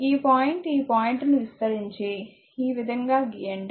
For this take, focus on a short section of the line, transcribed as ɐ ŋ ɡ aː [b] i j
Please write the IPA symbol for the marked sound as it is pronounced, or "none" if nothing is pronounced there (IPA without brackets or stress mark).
ɡ